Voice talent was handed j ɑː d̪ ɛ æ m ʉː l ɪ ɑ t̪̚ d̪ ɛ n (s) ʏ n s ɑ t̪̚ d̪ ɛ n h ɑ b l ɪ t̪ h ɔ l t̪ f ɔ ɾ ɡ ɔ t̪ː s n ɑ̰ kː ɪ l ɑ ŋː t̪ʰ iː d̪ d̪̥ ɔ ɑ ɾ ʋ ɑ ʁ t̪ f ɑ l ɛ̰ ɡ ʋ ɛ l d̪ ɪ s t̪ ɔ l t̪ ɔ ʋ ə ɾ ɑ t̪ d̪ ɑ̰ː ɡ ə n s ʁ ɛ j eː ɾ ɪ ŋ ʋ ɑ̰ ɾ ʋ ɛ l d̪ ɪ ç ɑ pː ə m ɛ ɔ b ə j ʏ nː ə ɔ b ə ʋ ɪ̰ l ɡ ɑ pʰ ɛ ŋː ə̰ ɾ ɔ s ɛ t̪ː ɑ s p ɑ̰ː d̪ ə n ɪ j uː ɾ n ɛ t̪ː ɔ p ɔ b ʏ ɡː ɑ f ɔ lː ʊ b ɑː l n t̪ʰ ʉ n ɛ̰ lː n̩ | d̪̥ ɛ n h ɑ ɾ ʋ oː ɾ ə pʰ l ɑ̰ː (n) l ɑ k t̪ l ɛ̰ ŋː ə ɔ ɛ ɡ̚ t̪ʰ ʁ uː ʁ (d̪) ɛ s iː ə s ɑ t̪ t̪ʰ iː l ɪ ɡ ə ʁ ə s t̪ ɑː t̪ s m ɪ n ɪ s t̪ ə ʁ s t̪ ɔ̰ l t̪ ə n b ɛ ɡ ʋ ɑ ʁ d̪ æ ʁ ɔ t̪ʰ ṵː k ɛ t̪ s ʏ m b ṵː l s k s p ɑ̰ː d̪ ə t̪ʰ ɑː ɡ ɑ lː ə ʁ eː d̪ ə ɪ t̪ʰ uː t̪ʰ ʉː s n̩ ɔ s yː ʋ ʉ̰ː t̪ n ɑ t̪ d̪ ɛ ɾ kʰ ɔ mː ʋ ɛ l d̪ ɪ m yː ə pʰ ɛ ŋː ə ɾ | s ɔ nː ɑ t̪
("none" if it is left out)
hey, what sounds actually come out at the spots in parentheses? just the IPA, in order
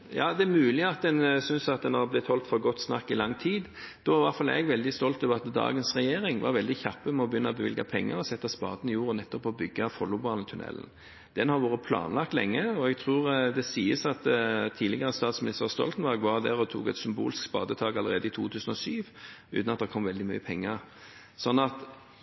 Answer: s, n, d̪

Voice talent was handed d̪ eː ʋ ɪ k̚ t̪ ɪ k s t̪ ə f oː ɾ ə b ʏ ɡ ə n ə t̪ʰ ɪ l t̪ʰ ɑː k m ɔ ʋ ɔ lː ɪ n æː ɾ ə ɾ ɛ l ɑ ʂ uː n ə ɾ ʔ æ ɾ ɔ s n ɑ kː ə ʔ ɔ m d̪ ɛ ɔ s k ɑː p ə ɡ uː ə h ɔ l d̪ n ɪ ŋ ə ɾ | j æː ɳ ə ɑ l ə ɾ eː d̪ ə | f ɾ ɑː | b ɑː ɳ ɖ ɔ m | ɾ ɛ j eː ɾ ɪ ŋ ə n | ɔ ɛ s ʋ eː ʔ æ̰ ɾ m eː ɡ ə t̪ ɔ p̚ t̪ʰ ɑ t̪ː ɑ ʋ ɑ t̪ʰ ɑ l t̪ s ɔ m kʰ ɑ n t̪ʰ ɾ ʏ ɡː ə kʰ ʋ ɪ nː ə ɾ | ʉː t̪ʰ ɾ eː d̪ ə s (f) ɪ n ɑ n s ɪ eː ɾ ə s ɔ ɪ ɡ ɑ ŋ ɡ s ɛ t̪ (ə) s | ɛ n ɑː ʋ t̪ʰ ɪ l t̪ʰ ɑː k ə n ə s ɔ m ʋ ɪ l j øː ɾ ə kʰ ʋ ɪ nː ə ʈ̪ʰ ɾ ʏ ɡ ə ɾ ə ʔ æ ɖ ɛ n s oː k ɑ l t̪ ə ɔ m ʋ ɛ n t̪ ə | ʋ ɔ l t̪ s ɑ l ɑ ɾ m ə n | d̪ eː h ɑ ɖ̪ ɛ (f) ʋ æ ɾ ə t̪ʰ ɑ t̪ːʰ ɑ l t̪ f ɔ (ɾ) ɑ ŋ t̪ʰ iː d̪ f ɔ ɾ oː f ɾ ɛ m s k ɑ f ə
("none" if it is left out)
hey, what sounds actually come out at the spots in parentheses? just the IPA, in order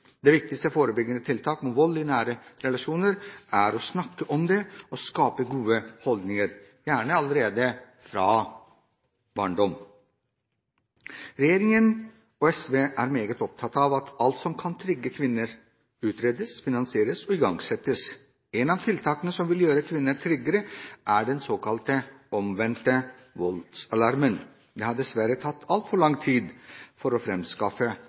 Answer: f, ə, s, ɭ

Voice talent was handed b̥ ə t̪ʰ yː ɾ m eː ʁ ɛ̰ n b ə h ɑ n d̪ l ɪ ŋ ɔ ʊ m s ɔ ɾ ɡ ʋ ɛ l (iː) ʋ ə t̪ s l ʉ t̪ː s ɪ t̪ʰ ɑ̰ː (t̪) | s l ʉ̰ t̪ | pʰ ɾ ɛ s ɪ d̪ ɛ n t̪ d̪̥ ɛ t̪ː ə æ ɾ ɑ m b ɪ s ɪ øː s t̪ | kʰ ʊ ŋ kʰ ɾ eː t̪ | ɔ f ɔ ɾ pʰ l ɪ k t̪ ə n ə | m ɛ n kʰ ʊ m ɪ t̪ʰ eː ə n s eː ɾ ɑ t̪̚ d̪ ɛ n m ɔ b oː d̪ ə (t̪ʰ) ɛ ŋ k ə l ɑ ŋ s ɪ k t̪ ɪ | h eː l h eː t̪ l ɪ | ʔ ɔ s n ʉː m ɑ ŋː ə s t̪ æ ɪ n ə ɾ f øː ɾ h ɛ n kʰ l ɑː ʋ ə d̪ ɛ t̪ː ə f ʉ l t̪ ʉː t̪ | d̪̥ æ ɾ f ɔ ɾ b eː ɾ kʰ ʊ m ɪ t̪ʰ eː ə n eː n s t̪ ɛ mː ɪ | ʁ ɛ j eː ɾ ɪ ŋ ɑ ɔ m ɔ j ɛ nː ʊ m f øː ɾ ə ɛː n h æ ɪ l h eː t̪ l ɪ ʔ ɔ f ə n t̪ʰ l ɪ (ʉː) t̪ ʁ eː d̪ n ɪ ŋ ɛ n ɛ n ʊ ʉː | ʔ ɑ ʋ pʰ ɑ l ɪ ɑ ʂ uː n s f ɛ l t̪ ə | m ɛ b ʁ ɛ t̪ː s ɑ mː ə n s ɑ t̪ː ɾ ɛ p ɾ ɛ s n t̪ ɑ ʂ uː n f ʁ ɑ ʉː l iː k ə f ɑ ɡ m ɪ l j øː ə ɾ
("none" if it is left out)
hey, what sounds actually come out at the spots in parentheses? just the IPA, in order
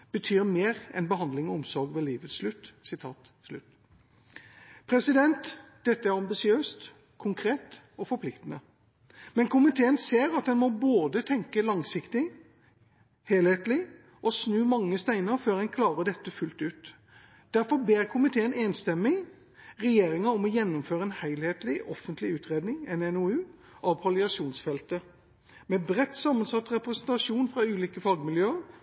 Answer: iː, t̪, t̪ʰ, ʉː

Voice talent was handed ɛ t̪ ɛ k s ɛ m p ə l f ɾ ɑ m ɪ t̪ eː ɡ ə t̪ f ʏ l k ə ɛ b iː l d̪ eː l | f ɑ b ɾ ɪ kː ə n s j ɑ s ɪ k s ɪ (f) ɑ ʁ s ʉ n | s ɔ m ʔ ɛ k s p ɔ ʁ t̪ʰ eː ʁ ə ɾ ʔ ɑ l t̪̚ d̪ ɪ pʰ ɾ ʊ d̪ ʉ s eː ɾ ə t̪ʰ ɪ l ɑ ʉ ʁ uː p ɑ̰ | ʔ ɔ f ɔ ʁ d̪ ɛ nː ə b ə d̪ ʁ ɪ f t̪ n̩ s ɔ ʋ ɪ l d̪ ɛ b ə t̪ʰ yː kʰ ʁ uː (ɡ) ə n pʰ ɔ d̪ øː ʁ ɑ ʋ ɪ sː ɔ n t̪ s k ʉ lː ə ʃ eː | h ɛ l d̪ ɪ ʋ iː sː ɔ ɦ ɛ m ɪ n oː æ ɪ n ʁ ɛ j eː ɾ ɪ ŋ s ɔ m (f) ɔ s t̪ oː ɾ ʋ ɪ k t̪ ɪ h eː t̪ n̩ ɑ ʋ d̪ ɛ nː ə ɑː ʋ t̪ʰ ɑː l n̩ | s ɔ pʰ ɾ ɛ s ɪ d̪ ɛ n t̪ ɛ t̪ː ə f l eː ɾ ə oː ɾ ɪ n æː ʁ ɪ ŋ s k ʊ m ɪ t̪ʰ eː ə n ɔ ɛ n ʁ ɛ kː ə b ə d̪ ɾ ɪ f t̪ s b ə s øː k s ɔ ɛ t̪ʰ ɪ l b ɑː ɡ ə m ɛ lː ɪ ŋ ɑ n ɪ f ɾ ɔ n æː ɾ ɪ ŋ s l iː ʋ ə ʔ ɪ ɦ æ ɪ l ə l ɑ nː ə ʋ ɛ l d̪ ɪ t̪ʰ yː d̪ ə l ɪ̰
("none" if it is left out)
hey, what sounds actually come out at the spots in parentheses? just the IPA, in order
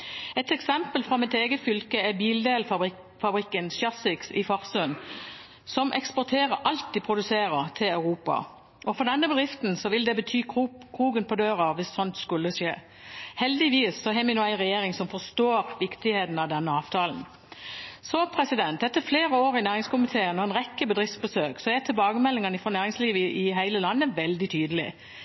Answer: f, ɡ, f

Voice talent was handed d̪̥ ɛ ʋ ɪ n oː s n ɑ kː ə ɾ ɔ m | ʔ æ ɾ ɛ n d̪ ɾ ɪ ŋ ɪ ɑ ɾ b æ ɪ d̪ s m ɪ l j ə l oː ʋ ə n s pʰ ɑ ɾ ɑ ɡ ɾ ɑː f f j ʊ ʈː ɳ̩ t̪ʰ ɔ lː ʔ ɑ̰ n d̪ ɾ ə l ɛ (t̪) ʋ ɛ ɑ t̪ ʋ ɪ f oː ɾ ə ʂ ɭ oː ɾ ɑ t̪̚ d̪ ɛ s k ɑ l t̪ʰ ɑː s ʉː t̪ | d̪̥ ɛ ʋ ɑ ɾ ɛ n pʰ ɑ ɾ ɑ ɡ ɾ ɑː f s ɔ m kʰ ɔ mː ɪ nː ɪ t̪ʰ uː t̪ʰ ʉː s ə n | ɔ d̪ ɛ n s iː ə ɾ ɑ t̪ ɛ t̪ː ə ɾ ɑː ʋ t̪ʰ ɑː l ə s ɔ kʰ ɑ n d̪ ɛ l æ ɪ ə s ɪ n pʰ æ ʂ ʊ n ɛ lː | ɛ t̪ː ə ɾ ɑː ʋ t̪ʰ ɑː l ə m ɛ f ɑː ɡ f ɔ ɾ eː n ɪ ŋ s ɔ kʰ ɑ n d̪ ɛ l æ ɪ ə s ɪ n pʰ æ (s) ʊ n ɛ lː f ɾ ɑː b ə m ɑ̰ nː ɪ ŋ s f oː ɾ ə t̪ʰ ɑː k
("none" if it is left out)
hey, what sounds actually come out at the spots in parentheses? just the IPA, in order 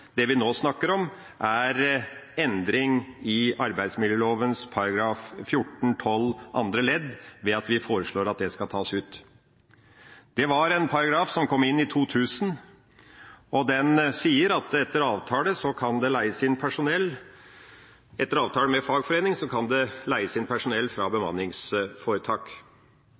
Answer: d̪, ʂ

